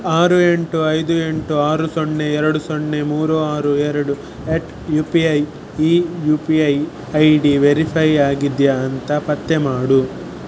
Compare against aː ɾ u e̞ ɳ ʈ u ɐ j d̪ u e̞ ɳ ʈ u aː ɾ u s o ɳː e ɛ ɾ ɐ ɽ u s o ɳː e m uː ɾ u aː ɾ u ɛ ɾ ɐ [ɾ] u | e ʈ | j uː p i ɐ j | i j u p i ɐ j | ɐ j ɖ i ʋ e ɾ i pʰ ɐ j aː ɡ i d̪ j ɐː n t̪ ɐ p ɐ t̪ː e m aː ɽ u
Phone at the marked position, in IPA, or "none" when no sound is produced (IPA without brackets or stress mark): ɽ